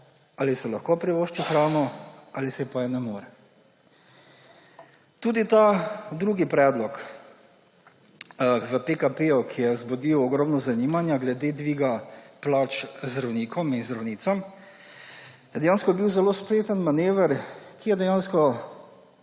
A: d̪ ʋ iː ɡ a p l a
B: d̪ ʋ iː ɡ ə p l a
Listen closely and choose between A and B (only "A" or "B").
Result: A